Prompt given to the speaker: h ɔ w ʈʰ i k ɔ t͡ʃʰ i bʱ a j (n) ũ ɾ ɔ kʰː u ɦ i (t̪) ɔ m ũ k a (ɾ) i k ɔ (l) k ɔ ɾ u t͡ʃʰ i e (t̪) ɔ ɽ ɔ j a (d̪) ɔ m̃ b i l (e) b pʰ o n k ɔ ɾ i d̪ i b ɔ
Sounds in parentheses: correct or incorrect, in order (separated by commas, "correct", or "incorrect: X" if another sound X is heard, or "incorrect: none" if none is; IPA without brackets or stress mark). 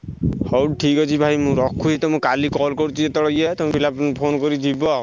incorrect: m, correct, incorrect: l, correct, correct, incorrect: t̪, incorrect: a